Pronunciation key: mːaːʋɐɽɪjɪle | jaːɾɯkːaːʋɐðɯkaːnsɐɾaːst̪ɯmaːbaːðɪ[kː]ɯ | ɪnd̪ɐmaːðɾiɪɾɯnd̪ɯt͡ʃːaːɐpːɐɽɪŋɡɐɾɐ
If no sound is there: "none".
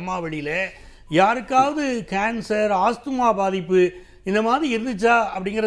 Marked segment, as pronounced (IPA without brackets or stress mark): pː